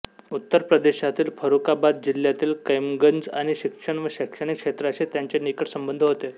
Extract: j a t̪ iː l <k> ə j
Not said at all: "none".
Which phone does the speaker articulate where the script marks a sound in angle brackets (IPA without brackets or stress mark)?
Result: k